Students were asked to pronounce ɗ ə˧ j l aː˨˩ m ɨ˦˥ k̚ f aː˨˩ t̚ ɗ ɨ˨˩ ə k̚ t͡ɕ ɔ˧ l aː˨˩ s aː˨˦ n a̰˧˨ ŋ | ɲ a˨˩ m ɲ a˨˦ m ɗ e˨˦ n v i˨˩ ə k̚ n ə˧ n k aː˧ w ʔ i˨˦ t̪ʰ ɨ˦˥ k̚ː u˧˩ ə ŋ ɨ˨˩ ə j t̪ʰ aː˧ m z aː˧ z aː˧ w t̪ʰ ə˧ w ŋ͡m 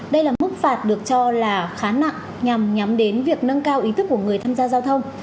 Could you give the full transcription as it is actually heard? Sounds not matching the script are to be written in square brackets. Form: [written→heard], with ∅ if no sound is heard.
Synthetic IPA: ɗ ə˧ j l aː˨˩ m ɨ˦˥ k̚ f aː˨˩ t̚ ɗ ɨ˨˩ ə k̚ t͡ɕ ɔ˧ l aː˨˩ [s→x] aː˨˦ n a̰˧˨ ŋ | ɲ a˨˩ m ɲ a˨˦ m ɗ e˨˦ n v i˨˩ ə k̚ n ə˧ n k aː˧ w ʔ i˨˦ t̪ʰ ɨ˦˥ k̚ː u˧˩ ə ŋ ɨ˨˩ ə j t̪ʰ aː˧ m z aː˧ z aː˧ w t̪ʰ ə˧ w ŋ͡m